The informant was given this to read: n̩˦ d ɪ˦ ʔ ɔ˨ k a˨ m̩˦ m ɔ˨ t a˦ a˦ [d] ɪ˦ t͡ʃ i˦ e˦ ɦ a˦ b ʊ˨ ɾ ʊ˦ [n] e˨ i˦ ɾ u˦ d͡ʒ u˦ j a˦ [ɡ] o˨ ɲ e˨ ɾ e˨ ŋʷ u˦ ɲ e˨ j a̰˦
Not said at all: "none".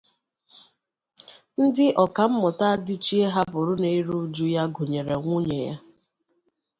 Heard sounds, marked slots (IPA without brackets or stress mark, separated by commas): d, n, ɡ